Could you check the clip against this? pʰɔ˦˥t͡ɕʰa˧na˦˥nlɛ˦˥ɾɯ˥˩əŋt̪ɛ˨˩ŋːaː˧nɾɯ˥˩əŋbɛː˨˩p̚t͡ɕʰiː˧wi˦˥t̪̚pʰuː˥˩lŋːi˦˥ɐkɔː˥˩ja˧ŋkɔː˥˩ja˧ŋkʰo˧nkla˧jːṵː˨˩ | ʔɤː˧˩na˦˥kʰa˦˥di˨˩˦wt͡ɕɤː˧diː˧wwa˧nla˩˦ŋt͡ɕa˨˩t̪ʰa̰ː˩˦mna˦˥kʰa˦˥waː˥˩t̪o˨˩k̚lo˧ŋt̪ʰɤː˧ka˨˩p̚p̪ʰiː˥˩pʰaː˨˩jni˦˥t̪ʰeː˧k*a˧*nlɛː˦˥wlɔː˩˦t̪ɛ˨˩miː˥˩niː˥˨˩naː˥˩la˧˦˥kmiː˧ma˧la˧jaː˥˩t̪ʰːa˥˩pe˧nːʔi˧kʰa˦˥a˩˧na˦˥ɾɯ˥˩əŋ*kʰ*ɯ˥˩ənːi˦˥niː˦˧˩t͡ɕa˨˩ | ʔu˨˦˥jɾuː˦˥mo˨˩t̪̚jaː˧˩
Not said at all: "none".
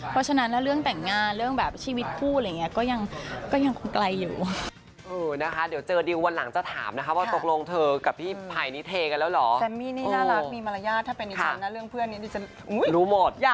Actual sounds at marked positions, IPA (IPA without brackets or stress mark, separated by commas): a˧, pʰ